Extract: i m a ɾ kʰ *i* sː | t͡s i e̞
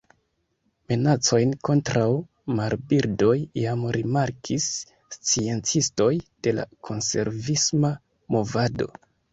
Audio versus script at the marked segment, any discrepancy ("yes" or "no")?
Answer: no